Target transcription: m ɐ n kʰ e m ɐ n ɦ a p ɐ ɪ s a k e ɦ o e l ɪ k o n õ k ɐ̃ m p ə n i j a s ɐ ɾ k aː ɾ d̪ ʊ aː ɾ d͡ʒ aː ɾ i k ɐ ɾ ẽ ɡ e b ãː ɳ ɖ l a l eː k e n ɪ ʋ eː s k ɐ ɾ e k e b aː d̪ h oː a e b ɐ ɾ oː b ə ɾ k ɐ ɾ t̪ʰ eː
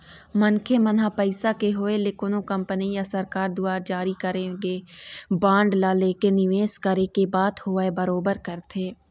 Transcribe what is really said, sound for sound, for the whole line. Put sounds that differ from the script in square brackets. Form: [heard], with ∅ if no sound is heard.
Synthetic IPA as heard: m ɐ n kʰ e m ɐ n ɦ a p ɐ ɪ s a k e ɦ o e l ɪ k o n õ k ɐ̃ m p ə n i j a s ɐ ɾ k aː ɾ d̪ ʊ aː ɾ d͡ʒ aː ɾ i k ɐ ɾ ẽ ɡ e b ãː ɳ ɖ l a l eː k e n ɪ ʋ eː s k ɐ ɾ e k e b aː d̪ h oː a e b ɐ ɾ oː b ə ɾ k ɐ ɾ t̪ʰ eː